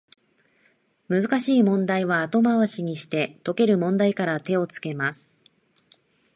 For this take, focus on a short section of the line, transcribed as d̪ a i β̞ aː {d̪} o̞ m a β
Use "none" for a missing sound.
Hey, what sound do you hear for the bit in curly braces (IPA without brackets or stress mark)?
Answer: t̪